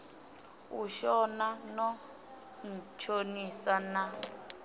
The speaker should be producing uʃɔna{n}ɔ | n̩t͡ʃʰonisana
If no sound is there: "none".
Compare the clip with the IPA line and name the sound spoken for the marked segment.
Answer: n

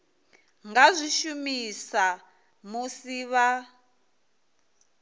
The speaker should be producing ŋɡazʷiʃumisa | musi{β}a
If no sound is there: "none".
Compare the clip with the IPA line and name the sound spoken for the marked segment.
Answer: β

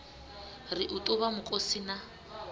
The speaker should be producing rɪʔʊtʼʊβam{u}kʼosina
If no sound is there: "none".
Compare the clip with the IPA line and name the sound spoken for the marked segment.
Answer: ʊ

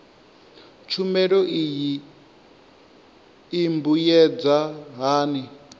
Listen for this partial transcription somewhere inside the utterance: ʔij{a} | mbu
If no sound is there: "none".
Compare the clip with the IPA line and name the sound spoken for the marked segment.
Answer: i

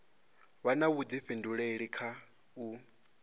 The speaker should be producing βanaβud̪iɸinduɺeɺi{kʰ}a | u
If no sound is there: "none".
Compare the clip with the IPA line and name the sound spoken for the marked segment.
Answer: kʰ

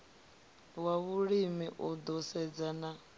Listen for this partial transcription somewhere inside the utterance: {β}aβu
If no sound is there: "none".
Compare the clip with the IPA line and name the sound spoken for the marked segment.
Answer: w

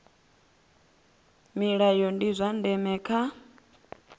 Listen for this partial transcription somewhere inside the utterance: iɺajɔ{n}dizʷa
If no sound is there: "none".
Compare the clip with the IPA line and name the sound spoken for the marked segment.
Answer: n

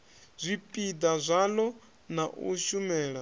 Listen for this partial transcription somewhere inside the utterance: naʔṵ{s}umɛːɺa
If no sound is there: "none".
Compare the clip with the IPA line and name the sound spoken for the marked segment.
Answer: ʃ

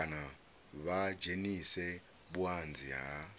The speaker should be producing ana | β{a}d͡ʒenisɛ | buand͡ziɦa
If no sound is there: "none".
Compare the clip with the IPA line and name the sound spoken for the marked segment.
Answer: a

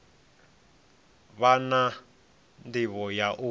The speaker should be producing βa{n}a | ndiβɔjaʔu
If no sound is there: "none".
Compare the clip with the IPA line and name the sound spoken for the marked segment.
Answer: n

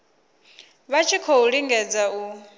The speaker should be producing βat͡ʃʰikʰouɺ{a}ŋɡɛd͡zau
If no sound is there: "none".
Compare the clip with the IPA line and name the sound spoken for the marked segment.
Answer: i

